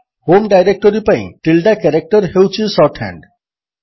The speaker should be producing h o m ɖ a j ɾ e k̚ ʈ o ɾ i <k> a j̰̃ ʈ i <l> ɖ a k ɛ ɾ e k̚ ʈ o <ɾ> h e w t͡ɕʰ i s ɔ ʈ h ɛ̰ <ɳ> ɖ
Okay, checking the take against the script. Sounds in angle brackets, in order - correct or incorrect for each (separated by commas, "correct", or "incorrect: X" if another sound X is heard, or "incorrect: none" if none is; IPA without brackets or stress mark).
incorrect: p, correct, correct, correct